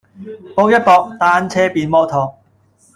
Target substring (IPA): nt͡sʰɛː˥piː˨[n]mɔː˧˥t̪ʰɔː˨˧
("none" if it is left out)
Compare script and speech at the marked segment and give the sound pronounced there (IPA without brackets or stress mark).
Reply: n